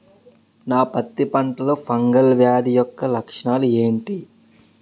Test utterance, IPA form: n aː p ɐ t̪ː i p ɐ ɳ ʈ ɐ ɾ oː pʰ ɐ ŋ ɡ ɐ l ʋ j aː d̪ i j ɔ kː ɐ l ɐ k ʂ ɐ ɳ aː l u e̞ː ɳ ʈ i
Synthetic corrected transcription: n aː p ɐ t̪ː i p ɐ ɳ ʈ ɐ l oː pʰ ɐ ŋ ɡ ɐ l ʋ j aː d̪ i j ɔ kː ɐ l ɐ k ʂ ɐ ɳ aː l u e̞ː ɳ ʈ i